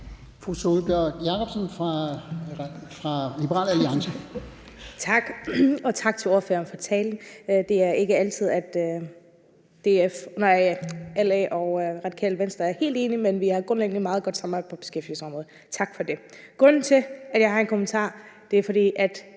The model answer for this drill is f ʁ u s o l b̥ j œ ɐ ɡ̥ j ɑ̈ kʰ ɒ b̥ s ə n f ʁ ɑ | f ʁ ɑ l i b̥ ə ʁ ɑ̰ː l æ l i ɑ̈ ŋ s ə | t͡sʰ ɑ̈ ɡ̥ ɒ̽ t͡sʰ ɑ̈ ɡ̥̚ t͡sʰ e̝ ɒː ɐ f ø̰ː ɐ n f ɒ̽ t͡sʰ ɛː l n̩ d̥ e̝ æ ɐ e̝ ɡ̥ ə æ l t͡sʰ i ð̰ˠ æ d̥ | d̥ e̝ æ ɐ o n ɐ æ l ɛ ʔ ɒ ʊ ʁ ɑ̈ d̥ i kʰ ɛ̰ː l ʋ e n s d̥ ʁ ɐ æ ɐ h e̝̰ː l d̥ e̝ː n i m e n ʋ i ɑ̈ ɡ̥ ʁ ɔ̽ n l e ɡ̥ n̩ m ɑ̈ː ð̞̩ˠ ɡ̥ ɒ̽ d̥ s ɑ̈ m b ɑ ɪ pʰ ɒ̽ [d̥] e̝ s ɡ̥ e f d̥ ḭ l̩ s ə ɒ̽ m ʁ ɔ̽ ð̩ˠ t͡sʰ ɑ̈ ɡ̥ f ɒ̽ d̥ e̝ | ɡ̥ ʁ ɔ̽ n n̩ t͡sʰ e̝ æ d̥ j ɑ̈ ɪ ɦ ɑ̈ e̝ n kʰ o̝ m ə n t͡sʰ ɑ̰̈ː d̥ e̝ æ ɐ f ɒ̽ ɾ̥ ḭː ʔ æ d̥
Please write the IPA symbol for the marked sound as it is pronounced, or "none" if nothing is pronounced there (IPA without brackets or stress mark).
b̥